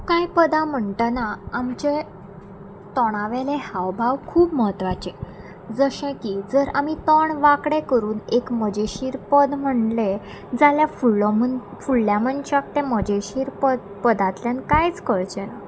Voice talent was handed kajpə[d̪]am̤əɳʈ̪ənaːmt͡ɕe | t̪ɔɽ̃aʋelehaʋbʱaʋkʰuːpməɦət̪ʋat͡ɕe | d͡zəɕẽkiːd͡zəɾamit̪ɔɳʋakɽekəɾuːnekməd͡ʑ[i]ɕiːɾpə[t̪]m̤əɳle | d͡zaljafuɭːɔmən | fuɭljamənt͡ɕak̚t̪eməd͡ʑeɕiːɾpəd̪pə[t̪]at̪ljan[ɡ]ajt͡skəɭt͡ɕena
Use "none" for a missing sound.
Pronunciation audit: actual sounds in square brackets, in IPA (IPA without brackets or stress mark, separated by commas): d̪, e, d̪, d̪, k